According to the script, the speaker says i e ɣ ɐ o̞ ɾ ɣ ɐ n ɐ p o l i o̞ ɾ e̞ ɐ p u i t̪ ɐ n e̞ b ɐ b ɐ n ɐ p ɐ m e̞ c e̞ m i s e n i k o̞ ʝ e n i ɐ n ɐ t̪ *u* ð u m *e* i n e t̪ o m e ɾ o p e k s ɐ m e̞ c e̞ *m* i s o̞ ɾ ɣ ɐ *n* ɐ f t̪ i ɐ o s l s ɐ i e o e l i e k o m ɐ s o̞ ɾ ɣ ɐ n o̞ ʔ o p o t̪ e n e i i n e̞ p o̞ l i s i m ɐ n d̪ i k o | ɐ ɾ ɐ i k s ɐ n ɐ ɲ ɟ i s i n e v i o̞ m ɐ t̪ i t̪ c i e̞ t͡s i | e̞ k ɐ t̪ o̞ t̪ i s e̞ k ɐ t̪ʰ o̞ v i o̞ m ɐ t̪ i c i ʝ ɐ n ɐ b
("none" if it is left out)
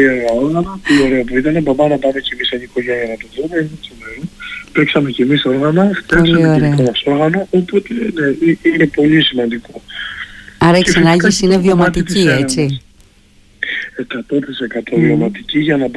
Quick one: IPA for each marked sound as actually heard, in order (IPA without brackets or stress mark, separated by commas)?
o, e, m, n